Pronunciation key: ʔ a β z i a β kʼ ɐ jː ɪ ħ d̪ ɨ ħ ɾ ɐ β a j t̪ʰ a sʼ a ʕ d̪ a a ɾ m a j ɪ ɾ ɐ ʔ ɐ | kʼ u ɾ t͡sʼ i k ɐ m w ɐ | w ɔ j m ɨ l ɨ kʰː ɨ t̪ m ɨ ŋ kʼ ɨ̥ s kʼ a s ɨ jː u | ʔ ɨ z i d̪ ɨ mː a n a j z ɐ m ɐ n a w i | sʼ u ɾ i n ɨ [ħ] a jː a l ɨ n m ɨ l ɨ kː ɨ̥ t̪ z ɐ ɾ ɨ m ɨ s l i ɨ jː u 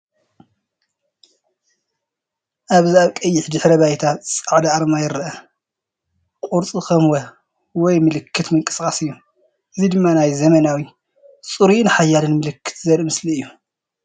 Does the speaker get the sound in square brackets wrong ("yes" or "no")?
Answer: no